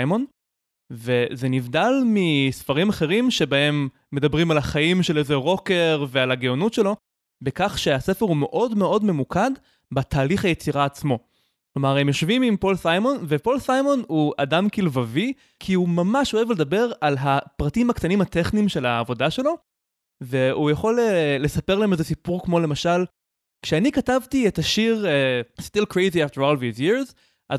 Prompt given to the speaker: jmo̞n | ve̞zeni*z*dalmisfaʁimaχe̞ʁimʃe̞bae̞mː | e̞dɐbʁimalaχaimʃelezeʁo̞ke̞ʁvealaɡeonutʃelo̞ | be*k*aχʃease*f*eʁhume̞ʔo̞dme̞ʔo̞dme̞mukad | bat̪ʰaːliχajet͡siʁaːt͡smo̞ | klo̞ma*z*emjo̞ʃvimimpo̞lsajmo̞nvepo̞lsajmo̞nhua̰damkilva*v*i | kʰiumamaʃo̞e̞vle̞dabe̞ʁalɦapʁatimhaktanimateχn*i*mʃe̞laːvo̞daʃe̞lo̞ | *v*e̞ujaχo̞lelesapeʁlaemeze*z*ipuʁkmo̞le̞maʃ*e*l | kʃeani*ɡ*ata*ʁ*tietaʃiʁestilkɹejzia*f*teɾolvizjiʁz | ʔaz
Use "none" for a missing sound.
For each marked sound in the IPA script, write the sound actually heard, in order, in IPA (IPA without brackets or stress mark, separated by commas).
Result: v, k, f, ʁ, v, i, v, s, a, k, v, f